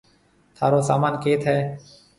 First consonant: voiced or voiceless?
voiceless